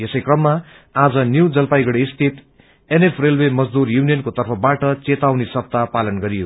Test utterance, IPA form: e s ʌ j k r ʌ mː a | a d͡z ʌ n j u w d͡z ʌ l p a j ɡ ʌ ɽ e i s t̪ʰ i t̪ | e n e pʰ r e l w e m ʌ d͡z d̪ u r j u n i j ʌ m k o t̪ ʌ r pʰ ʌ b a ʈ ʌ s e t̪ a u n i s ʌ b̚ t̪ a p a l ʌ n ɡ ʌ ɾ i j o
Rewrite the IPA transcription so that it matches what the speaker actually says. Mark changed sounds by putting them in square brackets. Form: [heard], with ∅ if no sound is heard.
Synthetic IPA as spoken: e s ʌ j k r ʌ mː a | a d͡z ʌ n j u w d͡z ʌ l p a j ɡ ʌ ɽ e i s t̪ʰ i t̪ | e n e pʰ r e l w e m ʌ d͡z d̪ u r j u n i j ʌ [n] k o t̪ ʌ r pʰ ʌ b a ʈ ʌ [t͡s] e t̪ a [w] n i s ʌ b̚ t̪ a p a l ʌ n ɡ ʌ ɾ i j o

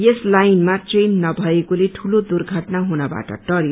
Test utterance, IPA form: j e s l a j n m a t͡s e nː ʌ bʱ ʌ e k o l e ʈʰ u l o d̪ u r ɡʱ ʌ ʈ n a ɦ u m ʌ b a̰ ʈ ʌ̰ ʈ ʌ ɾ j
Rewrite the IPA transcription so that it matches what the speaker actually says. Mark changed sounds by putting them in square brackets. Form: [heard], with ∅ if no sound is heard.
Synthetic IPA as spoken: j e s l a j n m a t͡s e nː ʌ bʱ ʌ e k o l e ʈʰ u l o d̪ u r ɡʱ ʌ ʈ n a ɦ u [n] ʌ b a̰ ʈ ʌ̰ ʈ ʌ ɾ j

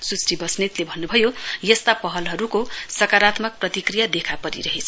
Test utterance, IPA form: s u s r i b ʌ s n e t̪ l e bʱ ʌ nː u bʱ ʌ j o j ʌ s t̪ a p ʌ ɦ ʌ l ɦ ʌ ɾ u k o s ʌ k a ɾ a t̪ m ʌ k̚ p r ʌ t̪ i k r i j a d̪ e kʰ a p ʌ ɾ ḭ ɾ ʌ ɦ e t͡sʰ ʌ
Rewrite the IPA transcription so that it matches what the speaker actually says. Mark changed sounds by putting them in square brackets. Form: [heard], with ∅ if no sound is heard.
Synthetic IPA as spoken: s u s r i b ʌ s n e t̪ l e bʱ ʌ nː u bʱ ʌ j o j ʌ s t̪ a p ʌ ɦ ʌ l ɦ ʌ ɾ u k o s ʌ k a ɾ a t̪ m ʌ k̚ p r ʌ t̪ i k r i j a d̪ e kʰ a p ʌ ɾ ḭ ɾ ʌ ɦ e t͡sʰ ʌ

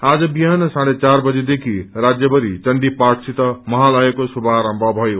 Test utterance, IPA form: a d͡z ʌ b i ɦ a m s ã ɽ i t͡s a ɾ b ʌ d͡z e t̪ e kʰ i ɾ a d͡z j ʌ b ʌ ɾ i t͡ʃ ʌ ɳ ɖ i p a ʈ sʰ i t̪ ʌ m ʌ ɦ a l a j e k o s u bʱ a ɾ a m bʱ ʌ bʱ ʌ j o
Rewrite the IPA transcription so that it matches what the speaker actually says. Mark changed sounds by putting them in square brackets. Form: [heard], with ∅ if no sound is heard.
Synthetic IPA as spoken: a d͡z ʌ b i ɦ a [n] s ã ɽ [e] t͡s a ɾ b ʌ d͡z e [d̪] e kʰ i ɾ a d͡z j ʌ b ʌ ɾ i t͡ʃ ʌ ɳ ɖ i p a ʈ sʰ i t̪ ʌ m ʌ ɦ a l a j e k o s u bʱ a ɾ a m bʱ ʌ bʱ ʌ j o

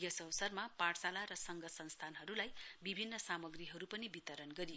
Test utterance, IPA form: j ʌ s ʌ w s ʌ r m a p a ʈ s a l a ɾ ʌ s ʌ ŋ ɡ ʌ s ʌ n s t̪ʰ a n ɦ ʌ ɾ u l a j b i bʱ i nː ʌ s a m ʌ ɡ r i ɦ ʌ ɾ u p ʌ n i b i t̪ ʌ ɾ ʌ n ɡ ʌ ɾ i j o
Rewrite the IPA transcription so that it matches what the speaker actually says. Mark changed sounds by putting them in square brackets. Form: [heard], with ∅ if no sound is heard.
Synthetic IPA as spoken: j ʌ s ʌ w s ʌ r m a p a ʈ s a l a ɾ ʌ s ʌ ŋ ɡ ʌ s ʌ n s t̪ʰ a n ɦ ʌ ɾ u l a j b i bʱ i nː ʌ s a m ʌ ɡ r i ɦ ʌ ɾ u p ʌ n i b i t̪ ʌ ɾ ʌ n ɡ ʌ ɾ i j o

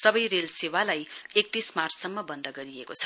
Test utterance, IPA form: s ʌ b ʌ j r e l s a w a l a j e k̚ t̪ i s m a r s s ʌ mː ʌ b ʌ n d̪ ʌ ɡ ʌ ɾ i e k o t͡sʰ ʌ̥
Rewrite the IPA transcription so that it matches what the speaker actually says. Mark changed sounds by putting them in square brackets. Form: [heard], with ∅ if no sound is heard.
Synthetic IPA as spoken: s ʌ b ʌ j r e l s [e] w a l a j e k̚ t̪ i s m a r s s ʌ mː ʌ b ʌ n d̪ ʌ ɡ ʌ ɾ i e k o t͡sʰ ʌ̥

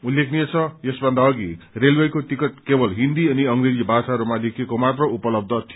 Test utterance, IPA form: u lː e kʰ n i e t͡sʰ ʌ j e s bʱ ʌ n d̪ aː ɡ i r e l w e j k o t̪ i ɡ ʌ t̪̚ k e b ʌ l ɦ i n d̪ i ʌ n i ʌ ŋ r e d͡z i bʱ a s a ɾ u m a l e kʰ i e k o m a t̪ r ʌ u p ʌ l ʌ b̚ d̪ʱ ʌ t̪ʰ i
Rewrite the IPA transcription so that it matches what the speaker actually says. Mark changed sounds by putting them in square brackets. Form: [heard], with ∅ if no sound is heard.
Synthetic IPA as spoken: u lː e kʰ n i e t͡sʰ ʌ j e s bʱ ʌ n d̪ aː ɡ i r e l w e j k o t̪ i [k] ʌ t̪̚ k e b ʌ l ɦ i n d̪ i ʌ n i ʌ ŋ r e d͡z i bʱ a s a ɾ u m a l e kʰ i e k o m a t̪ r ʌ u p ʌ l ʌ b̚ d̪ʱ ʌ t̪ʰ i

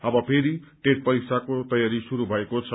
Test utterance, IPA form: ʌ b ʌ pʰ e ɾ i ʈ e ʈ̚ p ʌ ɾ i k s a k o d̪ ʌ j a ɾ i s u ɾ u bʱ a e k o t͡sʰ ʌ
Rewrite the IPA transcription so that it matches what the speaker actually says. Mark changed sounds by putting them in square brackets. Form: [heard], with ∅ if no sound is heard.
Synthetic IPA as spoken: ʌ b ʌ pʰ e ɾ i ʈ e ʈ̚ p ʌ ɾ i k s a k o [t̪] ʌ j a ɾ i s u ɾ u bʱ [ʌ] e k o t͡sʰ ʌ

